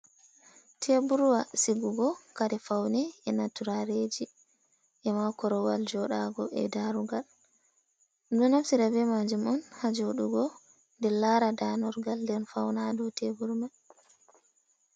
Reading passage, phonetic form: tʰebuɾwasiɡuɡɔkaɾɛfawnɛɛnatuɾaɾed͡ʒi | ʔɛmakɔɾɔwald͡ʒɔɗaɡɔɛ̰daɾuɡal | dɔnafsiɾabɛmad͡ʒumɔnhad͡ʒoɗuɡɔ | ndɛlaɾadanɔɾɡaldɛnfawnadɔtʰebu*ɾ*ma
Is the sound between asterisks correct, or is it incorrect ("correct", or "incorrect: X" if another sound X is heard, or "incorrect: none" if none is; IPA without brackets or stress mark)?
correct